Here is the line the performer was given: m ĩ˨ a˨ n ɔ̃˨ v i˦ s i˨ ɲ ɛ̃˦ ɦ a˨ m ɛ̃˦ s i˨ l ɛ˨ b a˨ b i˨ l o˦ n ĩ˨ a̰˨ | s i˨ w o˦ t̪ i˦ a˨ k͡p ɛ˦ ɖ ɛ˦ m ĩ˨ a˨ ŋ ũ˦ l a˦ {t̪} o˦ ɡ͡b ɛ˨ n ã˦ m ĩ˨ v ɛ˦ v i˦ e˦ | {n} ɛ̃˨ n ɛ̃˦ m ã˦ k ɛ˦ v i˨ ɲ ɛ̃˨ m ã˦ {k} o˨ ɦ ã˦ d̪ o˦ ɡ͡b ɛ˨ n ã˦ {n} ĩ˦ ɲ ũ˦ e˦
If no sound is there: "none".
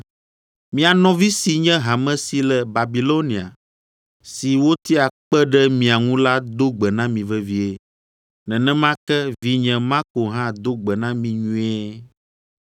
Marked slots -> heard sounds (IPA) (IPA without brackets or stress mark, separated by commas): d̪, n, k, m